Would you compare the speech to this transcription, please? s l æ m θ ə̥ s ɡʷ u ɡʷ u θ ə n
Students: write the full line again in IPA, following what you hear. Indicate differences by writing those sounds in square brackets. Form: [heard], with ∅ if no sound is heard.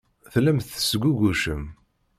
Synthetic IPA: [θ] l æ m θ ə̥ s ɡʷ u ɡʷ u [ʃ] ə [m]

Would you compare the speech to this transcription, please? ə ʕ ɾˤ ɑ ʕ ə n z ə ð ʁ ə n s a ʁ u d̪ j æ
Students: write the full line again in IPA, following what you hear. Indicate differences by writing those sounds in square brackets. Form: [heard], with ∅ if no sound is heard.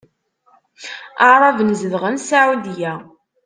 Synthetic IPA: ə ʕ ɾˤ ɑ [v] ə n z ə ð ʁ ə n s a [ʕ] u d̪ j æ

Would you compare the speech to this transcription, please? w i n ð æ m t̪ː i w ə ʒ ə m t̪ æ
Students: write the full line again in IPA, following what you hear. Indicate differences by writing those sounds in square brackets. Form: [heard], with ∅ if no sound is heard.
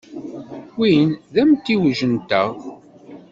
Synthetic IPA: w i n ð æ m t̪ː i w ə ʒ ə [n] t̪ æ

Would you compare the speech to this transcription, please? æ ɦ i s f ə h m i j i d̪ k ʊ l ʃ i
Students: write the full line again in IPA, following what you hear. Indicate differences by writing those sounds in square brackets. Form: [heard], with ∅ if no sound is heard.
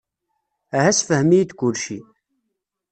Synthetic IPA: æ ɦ [æ] s f ə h m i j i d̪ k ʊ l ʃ i

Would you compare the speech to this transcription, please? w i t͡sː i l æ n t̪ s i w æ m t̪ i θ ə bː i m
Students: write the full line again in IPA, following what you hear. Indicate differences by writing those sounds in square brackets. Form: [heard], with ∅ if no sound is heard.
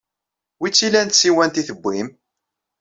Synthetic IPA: w i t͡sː i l æ n t̪ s i w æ [n] t̪ i θ ə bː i m

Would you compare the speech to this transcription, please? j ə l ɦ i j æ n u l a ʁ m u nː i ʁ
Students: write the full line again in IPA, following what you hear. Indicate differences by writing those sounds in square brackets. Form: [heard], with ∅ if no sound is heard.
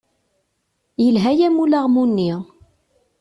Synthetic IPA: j ə l ɦ [æ] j æ [m] u l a ʁ m u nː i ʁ

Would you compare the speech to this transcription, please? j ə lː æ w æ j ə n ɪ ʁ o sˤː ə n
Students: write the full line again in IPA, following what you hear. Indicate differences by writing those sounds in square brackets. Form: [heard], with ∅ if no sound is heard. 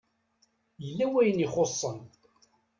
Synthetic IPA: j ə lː æ w æ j ə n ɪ [χ] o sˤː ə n

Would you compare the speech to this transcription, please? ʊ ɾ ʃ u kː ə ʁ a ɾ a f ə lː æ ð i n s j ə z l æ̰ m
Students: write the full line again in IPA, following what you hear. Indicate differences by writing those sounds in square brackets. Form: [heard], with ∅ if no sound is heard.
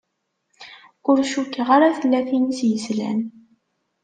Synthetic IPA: ʊ ɾ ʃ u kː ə ʁ a ɾ a [θ] ə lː æ [θ] i n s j ə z l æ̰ [n]

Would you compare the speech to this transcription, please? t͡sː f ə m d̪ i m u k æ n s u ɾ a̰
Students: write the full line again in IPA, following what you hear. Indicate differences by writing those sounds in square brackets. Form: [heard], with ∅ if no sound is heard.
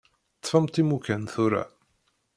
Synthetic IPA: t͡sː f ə m [t̪] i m u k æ n [θ] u ɾ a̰

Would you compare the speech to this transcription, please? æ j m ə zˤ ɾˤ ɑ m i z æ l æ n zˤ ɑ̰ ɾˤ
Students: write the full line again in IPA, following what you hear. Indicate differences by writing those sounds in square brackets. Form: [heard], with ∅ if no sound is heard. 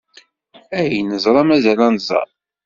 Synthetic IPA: æ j [n] ə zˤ ɾˤ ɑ m [æ] z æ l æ n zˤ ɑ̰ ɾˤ

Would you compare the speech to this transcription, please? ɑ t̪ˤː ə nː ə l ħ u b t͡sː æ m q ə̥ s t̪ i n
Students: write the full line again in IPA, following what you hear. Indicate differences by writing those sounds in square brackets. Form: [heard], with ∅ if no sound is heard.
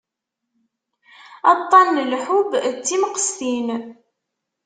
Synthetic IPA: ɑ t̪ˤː [ɑ] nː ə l ħ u b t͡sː [i] m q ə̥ s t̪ i n

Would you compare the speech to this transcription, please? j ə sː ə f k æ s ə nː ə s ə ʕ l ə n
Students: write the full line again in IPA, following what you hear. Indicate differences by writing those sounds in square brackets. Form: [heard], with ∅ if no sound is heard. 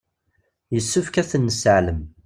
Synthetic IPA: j ə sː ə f k æ [θ] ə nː ə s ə ʕ l ə [m]

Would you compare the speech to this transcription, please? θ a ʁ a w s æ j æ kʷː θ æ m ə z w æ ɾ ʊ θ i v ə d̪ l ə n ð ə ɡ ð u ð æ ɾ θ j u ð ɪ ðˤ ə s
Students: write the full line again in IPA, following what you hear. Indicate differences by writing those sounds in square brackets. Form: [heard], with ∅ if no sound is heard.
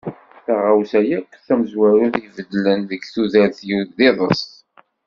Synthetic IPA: θ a ʁ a w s æ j æ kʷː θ æ m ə z w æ ɾ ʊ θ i v ə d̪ l ə n ð ə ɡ [θ] u ð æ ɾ θ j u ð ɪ ðˤ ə s

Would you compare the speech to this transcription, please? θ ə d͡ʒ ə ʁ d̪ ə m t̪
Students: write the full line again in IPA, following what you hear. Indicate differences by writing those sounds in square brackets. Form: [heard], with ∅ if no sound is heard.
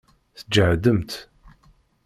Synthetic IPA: θ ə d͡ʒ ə [ʕ] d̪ ə m t̪

